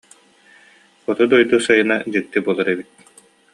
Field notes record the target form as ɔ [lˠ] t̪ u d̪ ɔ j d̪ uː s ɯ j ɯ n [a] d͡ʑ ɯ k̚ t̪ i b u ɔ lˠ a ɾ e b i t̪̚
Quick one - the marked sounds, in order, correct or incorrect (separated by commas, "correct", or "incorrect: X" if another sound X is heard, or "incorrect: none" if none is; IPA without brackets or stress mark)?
incorrect: none, correct